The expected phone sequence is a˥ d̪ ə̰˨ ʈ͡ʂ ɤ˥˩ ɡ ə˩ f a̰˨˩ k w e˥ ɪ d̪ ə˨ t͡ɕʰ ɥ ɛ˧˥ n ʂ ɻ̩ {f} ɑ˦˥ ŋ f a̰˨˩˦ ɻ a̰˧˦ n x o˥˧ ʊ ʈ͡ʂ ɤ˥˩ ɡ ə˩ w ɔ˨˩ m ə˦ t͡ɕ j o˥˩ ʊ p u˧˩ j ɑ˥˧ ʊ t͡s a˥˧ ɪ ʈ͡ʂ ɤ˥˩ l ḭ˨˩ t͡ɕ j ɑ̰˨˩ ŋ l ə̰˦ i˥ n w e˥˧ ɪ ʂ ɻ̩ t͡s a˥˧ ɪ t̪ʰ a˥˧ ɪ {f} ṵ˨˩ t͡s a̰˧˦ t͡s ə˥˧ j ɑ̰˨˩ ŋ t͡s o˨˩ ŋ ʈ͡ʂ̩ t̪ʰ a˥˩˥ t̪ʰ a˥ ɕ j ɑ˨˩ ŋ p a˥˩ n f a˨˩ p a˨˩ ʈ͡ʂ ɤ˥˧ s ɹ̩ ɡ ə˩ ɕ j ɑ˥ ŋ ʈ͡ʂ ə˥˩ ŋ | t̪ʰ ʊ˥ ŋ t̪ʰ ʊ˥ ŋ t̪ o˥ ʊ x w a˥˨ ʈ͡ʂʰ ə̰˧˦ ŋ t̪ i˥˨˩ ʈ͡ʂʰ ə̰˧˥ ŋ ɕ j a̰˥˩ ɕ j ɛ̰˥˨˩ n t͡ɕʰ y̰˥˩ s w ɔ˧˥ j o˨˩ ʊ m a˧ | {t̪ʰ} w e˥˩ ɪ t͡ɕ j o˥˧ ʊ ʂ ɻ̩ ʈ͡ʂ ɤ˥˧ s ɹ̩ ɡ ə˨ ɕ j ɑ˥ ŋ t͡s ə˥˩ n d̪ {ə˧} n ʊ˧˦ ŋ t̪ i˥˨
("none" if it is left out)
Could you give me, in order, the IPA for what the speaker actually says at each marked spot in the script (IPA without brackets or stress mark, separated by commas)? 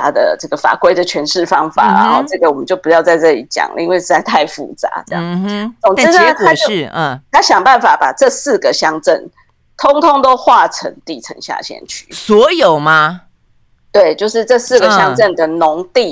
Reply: f, f, t̪, ə˩